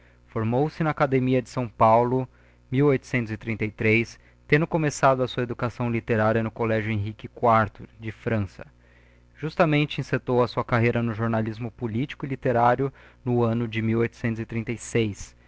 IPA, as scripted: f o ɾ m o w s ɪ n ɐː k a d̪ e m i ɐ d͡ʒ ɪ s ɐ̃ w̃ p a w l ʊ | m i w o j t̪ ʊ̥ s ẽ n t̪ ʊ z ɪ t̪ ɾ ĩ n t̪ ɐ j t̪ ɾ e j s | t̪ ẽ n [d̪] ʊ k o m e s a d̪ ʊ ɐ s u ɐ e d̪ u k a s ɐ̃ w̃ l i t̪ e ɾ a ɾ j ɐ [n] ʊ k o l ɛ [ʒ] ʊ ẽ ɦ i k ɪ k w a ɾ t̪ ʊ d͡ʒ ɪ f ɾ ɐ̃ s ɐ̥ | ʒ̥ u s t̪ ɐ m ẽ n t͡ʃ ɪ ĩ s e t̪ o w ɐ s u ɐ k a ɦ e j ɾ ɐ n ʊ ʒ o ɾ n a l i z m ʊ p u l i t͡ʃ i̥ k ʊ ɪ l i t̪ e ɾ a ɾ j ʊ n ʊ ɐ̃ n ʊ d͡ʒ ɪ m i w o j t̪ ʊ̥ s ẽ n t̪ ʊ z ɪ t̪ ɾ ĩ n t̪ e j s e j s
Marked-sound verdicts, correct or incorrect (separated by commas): correct, correct, correct